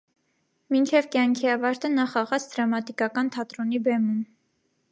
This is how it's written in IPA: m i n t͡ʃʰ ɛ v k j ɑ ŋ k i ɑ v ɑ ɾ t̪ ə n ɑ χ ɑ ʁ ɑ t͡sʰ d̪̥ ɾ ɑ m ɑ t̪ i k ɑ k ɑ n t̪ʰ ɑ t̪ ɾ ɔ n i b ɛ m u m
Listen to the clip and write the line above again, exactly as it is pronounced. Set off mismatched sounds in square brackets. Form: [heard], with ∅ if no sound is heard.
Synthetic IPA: m i n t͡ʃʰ ɛ v k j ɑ ŋ [kʰ] i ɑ v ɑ ɾ t̪ ə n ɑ χ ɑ ʁ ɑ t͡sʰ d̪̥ ɾ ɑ m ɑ t̪ i k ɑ k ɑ n t̪ʰ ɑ t̪ ɾ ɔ n i b ɛ m u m